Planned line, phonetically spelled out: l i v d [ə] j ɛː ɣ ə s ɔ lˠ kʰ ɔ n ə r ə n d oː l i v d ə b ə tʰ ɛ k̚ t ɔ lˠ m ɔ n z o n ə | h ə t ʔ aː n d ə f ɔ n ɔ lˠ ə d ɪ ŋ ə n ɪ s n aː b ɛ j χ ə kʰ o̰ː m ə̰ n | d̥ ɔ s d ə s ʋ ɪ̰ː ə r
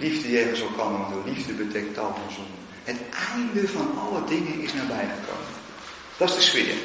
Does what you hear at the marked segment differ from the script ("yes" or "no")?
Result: no